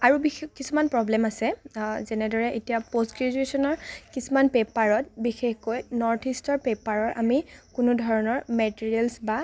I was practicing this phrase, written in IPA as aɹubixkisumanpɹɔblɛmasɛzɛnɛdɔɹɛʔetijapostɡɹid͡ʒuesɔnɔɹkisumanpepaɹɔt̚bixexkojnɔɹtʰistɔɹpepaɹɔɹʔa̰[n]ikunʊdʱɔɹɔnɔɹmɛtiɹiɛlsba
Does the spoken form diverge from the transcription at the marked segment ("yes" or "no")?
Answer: yes